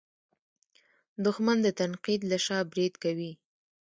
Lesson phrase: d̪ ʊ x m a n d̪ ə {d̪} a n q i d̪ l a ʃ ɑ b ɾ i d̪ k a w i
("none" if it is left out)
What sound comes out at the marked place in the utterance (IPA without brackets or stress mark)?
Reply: t̪